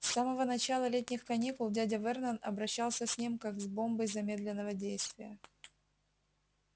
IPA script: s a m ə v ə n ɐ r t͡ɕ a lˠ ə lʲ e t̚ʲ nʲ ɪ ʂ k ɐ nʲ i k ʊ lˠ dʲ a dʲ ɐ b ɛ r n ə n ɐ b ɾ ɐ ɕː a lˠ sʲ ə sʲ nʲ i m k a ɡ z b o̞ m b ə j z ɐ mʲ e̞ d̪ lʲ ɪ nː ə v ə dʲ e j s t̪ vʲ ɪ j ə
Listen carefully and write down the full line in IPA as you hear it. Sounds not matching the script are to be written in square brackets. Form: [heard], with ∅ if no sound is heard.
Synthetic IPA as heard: s a m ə v ə n ɐ [∅] t͡ɕ a lˠ ə lʲ e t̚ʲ nʲ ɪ [x] k ɐ nʲ i k ʊ lˠ dʲ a dʲ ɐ [v] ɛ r n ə n ɐ b ɾ ɐ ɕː a lˠ sʲ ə sʲ nʲ i m k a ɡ z b o̞ m b ə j z ɐ mʲ e̞ d̪ lʲ ɪ nː ə v ə dʲ e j s t̪ vʲ ɪ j ə